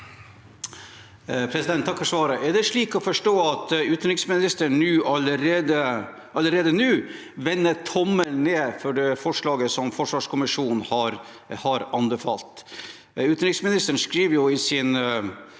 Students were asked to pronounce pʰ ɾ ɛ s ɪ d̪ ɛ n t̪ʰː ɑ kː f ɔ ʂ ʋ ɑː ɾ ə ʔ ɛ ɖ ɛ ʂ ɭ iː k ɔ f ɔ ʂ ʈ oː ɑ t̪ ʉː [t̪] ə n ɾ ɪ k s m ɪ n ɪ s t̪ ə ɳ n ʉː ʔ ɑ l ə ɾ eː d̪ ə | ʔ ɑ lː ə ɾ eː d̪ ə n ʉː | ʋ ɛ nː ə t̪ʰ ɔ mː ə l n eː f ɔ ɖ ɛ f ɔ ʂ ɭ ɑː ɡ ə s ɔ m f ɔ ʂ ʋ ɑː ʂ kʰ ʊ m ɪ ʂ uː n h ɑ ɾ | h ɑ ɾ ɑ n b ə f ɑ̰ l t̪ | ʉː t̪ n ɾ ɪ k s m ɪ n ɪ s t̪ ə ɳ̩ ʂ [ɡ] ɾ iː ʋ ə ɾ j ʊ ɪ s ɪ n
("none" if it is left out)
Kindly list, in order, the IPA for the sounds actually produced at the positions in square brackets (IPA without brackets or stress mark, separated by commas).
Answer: t̪, k